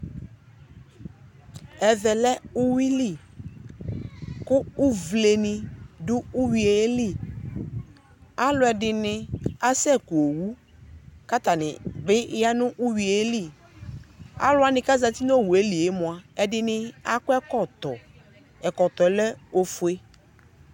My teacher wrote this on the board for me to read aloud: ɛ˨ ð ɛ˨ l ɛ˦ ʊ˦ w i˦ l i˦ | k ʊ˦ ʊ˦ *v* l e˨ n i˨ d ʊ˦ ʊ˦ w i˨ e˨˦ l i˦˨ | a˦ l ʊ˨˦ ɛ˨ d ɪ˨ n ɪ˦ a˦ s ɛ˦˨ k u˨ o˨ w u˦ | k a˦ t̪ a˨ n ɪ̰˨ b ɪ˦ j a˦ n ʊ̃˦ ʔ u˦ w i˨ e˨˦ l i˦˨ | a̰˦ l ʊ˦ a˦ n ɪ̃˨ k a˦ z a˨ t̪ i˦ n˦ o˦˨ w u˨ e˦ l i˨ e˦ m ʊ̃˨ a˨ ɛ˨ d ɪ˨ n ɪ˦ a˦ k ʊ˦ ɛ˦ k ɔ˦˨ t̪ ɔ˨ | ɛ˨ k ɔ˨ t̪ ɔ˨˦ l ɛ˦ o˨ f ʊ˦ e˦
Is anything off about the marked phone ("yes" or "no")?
no